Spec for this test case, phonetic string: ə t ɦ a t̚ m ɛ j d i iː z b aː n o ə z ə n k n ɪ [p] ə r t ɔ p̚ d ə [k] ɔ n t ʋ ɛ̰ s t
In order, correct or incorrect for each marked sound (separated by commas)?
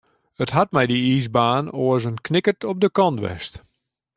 incorrect, correct